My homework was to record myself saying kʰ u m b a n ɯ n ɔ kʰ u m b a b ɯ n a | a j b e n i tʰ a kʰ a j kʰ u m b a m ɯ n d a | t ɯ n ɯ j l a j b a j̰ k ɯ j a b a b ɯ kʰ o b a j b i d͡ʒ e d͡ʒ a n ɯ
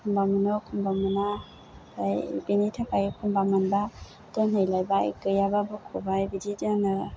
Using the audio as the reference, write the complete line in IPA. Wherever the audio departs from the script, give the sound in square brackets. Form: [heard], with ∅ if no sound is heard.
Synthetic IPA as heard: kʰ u m b a [m] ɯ n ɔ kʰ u m b a [m] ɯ n a | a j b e n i tʰ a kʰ a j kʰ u m b a m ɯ n [b] a | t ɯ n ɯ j l a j b a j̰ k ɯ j a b a b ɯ kʰ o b a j b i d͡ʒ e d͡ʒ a n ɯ